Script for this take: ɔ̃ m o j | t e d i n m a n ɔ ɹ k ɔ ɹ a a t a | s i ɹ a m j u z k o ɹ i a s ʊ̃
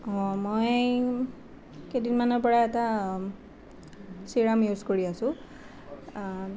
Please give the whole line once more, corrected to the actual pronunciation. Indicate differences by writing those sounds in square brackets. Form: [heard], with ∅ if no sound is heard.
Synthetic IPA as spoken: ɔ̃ m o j | [k] e d i n m a n ɔ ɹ [p] ɔ ɹ a [ɛ] t a | s i ɹ a m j u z k o ɹ i a s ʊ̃

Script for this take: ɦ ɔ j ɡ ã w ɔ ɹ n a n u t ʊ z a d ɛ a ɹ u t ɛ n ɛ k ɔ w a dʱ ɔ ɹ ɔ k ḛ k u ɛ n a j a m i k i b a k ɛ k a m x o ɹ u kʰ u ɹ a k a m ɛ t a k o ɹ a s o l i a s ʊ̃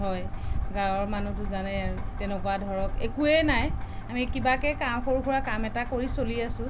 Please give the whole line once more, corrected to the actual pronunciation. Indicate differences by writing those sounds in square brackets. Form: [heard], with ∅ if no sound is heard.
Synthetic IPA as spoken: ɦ ɔ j ɡ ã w ɔ ɹ [m] a n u t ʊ z a [n] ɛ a ɹ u t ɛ n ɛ k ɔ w a dʱ ɔ ɹ ɔ k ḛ k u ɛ n a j a m i k i b a k ɛ k a m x o ɹ u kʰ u ɹ a k a m ɛ t a k o ɹ [i] s o l i a s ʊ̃

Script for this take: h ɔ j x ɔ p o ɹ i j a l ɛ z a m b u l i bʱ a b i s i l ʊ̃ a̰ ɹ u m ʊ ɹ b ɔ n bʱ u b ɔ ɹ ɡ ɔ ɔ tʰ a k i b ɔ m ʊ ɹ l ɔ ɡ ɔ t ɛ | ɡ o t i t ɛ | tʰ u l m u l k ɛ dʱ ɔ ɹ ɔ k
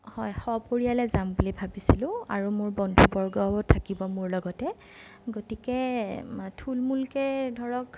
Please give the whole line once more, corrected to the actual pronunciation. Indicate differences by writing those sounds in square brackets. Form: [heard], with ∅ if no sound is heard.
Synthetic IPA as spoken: h ɔ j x ɔ p o ɹ i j a l ɛ z a m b u l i bʱ a b i s i l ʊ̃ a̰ ɹ u m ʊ ɹ b ɔ n [dʱ] u b ɔ ɹ ɡ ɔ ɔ tʰ a k i b ɔ m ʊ ɹ l ɔ ɡ ɔ t ɛ | ɡ o t i [k] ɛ | tʰ u l m u l k ɛ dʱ ɔ ɹ ɔ k

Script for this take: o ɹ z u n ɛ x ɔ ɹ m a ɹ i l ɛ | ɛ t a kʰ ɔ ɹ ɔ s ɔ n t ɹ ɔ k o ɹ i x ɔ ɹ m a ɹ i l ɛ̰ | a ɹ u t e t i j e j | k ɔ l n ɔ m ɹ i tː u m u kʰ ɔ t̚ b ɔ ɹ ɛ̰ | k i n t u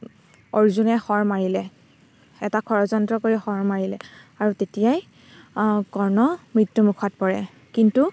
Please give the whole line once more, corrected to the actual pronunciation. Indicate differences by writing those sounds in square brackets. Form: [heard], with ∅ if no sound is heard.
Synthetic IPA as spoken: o ɹ z u n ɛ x ɔ ɹ m a ɹ i l ɛ | ɛ t a kʰ ɔ ɹ ɔ [z] ɔ n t ɹ ɔ k o ɹ i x ɔ ɹ m a ɹ i l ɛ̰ | a ɹ u t e t i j [a] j | k ɔ [ɹ] n ɔ m ɹ i tː u m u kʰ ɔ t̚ [p] ɔ ɹ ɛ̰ | k i n t u

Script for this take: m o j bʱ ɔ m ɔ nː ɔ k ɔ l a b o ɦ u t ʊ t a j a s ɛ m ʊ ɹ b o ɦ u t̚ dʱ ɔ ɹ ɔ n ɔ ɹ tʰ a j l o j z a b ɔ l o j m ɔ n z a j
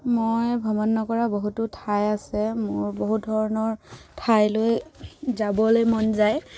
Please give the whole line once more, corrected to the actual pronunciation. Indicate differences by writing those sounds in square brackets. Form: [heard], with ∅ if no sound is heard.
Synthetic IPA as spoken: m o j bʱ ɔ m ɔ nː ɔ k ɔ [ɹ] a b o ɦ u t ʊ [tʰ] a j a s ɛ m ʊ ɹ b o ɦ u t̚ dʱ ɔ ɹ ɔ n ɔ ɹ tʰ a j l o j z a b ɔ l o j m ɔ n z a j

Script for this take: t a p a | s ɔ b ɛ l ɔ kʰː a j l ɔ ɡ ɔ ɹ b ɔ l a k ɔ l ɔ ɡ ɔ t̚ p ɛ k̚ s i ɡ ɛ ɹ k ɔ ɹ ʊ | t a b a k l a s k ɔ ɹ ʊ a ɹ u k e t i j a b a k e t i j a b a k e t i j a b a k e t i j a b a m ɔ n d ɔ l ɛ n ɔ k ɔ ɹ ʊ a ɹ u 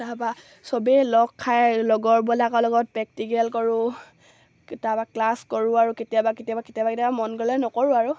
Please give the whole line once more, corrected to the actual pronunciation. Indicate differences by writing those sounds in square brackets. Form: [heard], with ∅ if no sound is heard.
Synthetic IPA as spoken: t a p a | s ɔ b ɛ l ɔ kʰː a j l ɔ ɡ ɔ ɹ b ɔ l a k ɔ l ɔ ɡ ɔ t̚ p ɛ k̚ [t] i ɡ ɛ [l] k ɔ ɹ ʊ | t a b a k l a s k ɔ ɹ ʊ a ɹ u k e t i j a b a k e t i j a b a k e t i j a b a k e t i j a b a m ɔ n [ɡ] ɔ l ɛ n ɔ k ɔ ɹ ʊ a ɹ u

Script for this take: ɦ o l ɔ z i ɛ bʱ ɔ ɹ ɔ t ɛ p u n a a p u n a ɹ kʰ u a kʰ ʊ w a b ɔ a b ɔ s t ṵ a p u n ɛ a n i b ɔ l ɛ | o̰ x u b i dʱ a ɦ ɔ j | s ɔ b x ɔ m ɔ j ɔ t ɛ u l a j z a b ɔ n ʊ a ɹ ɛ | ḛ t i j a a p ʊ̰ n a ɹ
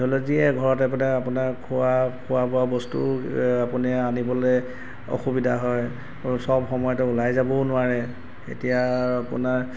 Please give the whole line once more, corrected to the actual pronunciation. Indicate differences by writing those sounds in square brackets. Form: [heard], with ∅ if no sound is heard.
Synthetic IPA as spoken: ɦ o l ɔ z i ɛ [ɡʱ] ɔ ɹ ɔ t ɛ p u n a a p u n a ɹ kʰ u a kʰ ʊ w a b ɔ a b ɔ s t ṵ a p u n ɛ a n i b ɔ l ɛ | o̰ x u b i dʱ a ɦ ɔ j | s ɔ b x ɔ m ɔ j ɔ t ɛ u l a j z a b ɔ n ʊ a ɹ ɛ | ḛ t i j a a p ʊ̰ n a ɹ

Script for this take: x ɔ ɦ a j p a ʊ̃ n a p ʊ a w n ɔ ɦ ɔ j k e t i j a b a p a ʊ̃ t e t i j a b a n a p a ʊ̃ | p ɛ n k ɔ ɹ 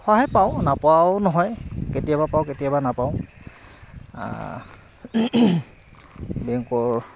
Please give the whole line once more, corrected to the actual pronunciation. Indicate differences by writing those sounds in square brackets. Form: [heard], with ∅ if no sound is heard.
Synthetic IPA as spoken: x ɔ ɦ a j p a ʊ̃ n a p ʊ a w n ɔ ɦ ɔ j k e t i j a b a p a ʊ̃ [k] e t i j a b a n a p a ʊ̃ | [b] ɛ [ŋ] k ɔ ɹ

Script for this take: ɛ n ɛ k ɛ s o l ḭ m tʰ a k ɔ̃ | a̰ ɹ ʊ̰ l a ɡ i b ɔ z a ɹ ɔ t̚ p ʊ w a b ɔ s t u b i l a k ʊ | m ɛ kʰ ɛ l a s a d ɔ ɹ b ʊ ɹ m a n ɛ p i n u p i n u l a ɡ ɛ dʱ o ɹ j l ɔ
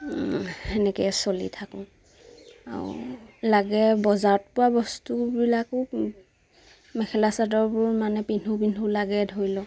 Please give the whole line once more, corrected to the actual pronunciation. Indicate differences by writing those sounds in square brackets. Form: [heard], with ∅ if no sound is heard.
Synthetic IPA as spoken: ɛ n ɛ k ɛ s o l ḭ [∅] tʰ a k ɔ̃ | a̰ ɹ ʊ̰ l a ɡ [ɛ] b ɔ z a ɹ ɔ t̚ p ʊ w a b ɔ s t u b i l a k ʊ | m ɛ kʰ ɛ l a s a d ɔ ɹ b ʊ ɹ m a n ɛ p i n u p i n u l a ɡ ɛ dʱ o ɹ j l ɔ

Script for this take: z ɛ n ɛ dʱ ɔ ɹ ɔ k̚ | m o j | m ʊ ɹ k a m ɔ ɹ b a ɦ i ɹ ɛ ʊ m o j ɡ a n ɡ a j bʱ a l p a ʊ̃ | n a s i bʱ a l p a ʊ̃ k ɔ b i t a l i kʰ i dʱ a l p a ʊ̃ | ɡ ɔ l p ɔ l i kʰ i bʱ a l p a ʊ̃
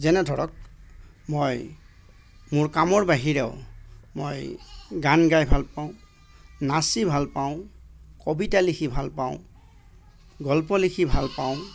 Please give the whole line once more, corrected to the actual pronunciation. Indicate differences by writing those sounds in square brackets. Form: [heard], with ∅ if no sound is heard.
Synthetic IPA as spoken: z ɛ n ɛ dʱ ɔ ɹ ɔ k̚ | m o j | m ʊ ɹ k a m ɔ ɹ b a ɦ i ɹ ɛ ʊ m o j ɡ a n ɡ a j bʱ a l p a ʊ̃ | n a s i bʱ a l p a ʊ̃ k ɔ b i t a l i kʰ i [bʱ] a l p a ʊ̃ | ɡ ɔ l p ɔ l i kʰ i bʱ a l p a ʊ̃

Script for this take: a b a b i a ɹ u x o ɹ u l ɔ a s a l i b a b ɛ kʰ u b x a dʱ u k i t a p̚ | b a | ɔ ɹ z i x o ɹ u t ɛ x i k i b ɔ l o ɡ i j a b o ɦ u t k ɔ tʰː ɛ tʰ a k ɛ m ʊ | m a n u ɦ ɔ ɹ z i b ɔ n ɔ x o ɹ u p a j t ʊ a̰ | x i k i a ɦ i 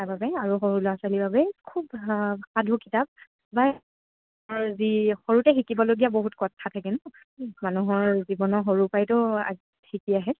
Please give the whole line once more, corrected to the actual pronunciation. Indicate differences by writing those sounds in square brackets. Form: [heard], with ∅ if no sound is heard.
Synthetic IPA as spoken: a b a b [ɛ] a ɹ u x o ɹ u l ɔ a s a l i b a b ɛ kʰ u b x a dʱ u k i t a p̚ | b a | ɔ ɹ z i x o ɹ u t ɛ x i k i b ɔ l o ɡ i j a b o ɦ u t k ɔ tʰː [a] tʰ a k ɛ [n] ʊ | m a n u ɦ ɔ ɹ z i b ɔ n ɔ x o ɹ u p a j t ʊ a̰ | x i k i a ɦ [ɛ]

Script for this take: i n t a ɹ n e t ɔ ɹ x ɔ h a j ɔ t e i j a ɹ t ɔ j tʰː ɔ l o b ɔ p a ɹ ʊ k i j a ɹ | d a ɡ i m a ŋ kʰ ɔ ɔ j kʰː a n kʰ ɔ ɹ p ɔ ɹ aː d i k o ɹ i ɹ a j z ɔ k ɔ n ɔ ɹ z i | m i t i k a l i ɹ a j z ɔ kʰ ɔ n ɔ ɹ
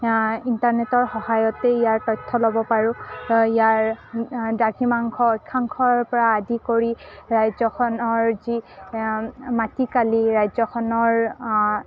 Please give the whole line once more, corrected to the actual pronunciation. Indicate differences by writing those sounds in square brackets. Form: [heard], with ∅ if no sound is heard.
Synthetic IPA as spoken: i n t a ɹ n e t ɔ ɹ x ɔ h a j ɔ t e i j a ɹ t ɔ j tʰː ɔ l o b ɔ p a ɹ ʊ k i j a ɹ | d a ɡ i m a ŋ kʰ ɔ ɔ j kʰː a [ŋ] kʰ ɔ ɹ p ɔ ɹ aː d i k o ɹ i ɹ a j z ɔ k ɔ n ɔ ɹ z i | m [a] t i k a l i ɹ a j z ɔ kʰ ɔ n ɔ ɹ

